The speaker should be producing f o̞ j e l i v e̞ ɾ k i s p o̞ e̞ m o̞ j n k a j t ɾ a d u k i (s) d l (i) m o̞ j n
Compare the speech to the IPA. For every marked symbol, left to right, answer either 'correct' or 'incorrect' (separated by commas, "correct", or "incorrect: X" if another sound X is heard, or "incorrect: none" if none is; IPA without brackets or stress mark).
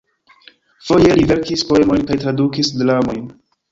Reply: correct, incorrect: a